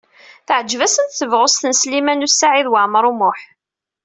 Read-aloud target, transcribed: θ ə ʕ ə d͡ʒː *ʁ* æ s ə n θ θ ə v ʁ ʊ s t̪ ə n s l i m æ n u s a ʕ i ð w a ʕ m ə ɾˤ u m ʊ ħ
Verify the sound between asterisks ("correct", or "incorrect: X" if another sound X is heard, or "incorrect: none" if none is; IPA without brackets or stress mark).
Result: incorrect: v